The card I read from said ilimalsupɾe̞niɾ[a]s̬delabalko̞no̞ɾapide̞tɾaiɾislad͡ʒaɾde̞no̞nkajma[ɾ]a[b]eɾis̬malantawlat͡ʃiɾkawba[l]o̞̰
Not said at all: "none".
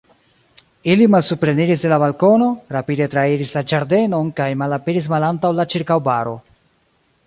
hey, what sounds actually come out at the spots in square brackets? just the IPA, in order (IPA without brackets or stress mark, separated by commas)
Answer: i, l, p, ɾ